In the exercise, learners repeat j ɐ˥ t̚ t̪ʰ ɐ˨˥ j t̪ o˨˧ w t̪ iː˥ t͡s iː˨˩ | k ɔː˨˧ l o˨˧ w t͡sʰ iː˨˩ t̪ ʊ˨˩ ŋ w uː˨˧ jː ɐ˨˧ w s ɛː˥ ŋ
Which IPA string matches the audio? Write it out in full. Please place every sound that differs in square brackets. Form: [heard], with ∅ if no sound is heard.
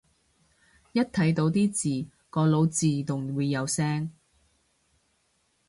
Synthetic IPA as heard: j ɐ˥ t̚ t̪ʰ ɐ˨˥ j t̪ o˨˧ w t̪ iː˥ t͡s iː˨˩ | k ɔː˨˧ l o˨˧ w [t͡s] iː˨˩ t̪ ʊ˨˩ ŋ w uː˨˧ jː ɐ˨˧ w s ɛː˥ ŋ